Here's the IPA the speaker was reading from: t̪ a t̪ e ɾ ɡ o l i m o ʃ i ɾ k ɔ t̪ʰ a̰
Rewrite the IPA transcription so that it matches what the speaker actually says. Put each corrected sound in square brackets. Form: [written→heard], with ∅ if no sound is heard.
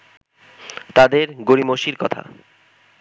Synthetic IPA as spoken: t̪ a [t̪→d̪] e ɾ ɡ o [l→ɾ] i m o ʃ i ɾ k ɔ t̪ʰ a̰